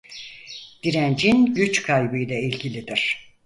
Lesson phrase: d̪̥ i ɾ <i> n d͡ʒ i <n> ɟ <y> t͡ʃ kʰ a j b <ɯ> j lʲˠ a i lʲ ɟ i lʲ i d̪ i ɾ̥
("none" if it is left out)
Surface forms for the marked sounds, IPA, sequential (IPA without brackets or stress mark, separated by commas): æ, n, y, ɯ